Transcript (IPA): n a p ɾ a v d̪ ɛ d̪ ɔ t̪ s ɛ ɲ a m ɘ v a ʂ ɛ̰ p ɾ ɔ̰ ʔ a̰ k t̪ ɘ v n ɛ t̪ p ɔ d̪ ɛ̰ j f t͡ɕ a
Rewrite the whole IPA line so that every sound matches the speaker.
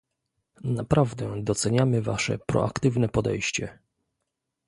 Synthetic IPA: n a p ɾ a v d̪ ɛ d̪ ɔ t̪ s ɛ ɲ a m ɘ v a ʂ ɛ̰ p ɾ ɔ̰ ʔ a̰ k t̪ ɘ v n ɛ p ɔ d̪ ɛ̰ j ɕ t͡ɕ ɛ